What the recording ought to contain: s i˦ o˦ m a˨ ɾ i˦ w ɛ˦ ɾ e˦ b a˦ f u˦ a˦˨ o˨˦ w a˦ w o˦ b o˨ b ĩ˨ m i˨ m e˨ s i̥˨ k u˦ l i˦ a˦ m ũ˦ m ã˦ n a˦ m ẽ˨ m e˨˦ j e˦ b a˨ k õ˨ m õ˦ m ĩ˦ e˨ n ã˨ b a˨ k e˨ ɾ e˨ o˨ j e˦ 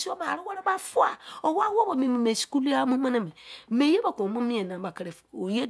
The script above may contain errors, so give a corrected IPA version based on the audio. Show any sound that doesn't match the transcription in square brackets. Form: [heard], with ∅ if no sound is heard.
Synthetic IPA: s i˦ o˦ m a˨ ɾ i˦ w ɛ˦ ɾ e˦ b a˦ f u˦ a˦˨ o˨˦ w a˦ w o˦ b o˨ [m] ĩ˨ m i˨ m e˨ s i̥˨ k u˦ l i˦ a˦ m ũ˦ m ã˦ n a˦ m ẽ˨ m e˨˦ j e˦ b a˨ k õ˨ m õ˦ m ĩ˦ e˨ n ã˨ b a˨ k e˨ ɾ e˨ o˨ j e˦